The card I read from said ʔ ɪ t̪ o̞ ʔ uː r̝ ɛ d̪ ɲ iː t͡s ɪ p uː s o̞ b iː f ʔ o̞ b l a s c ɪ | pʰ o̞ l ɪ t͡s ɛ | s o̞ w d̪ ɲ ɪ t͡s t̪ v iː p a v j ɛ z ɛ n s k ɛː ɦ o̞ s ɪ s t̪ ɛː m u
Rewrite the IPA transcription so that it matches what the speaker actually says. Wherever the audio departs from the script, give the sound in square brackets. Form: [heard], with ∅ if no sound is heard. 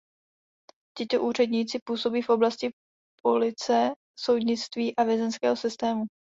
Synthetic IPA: [c] ɪ t̪ o̞ ʔ uː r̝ ɛ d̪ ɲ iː t͡s ɪ p uː s o̞ b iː f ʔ o̞ b l a s c ɪ | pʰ o̞ l ɪ t͡s ɛ | s o̞ w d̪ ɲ ɪ t͡s t̪ v iː [ʔ] a v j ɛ z ɛ n s k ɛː ɦ o̞ s ɪ s t̪ ɛː m u